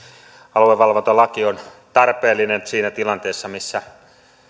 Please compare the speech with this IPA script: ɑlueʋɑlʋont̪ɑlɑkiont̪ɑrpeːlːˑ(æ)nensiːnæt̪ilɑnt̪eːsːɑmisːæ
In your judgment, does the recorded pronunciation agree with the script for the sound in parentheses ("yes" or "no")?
no